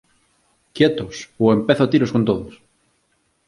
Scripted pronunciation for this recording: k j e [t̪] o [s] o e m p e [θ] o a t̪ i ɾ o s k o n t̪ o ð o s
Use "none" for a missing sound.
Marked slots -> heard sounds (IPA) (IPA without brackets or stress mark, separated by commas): t̪, s, θ